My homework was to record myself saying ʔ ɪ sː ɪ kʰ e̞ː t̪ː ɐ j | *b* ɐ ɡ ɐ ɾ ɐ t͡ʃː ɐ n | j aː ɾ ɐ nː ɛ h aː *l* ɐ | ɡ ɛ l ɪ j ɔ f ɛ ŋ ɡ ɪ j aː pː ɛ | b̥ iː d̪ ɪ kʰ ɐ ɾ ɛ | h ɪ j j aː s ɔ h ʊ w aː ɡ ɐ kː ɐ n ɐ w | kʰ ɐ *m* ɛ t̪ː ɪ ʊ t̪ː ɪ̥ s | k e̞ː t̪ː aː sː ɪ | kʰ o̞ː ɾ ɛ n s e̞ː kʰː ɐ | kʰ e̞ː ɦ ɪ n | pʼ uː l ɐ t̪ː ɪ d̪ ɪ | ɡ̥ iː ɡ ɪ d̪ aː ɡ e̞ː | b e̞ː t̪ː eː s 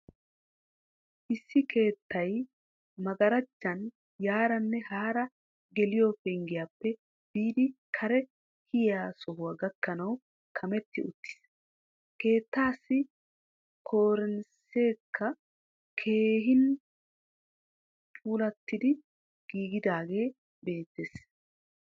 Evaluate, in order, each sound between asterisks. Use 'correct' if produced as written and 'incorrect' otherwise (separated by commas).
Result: incorrect, incorrect, correct